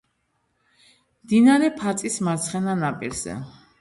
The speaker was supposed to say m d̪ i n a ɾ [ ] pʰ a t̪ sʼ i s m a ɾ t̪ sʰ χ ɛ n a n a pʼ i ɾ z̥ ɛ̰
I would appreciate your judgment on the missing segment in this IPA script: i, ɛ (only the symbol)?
ɛ